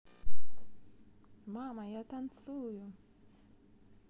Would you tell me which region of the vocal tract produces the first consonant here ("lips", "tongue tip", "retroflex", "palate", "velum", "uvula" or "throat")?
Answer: lips